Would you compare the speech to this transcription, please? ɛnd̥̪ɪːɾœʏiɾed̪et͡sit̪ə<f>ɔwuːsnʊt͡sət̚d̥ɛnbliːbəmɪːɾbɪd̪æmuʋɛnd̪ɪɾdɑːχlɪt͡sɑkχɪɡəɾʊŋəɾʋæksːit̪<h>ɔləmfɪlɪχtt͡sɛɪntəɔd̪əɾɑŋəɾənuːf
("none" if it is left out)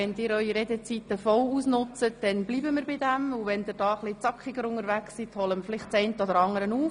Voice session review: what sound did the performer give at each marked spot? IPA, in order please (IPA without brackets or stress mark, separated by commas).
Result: f, h